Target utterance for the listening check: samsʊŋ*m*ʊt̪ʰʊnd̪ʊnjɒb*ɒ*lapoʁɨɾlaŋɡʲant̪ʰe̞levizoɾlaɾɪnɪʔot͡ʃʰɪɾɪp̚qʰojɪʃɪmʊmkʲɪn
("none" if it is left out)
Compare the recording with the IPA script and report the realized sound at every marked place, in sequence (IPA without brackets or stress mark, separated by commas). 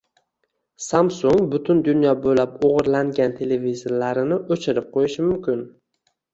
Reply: b, o